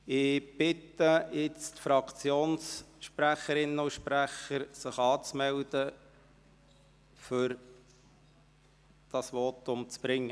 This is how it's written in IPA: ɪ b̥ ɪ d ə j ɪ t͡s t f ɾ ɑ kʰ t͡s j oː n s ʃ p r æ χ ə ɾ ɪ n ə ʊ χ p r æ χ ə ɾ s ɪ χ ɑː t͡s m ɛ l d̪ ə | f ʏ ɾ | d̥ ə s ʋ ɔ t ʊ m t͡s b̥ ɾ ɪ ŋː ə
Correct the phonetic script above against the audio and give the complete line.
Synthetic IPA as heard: ɪ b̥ ɪ t ə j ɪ t͡s t f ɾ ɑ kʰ t͡s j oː n s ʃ p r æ χ ə ɾ ɪ n ə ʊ ʃ p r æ χ ə ɾ s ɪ χ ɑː t͡s m ɛ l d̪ ə | f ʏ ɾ | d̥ ɑ s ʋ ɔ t ʊ m t͡s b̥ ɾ ɪ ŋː ə